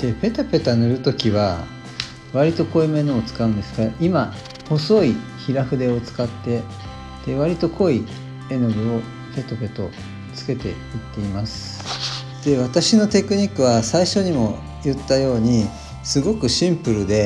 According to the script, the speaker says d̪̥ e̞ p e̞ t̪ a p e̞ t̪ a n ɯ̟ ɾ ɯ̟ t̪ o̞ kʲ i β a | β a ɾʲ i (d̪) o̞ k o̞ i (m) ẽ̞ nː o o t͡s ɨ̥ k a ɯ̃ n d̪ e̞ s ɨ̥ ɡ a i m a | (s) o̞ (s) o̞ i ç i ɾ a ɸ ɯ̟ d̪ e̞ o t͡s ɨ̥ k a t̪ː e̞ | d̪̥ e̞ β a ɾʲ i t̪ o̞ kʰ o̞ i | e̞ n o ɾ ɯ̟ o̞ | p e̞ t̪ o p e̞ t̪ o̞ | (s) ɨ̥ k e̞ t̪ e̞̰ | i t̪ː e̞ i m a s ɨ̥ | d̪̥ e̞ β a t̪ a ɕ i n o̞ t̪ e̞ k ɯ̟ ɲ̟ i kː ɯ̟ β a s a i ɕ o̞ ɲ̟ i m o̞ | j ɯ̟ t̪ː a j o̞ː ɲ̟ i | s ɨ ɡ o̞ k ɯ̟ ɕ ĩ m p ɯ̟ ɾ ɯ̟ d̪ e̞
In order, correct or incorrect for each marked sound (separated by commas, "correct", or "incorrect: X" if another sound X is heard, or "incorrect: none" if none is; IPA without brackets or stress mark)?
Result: incorrect: t̪, correct, incorrect: h, correct, incorrect: t͡s